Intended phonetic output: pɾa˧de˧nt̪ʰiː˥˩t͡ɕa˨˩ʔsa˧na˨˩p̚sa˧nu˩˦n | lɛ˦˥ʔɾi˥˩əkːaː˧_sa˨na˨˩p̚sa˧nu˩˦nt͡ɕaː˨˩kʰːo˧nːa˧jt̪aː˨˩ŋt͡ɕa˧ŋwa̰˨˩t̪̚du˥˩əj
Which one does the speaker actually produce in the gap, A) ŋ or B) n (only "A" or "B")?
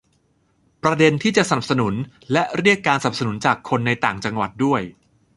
B